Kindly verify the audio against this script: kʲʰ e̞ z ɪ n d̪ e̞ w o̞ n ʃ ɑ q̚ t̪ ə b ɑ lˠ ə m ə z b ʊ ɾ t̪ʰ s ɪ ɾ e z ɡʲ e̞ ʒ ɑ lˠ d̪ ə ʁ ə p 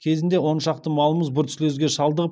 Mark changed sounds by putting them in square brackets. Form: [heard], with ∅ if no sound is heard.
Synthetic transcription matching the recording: kʲʰ e̞ z ɪ n d̪ e̞ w o̞ n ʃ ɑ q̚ t̪ ə [m] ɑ lˠ ə m ə z b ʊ ɾ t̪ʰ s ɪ [l] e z ɡʲ e̞ [ʃ] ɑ lˠ d̪ ə ʁ ə p